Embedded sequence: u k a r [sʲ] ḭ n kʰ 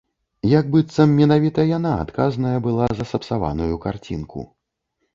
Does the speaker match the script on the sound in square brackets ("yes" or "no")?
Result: no